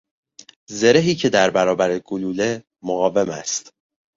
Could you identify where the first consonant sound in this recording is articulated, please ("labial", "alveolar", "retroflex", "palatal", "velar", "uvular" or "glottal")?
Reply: alveolar